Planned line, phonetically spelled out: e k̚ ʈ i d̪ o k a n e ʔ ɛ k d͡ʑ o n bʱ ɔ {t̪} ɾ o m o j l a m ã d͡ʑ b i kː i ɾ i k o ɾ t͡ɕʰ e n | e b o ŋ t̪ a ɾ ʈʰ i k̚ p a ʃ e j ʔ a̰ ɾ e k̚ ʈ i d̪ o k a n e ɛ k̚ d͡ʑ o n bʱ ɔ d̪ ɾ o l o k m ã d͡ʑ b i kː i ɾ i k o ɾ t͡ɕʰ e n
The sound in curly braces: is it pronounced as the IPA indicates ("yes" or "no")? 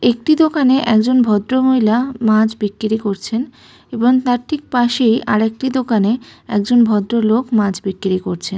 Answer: no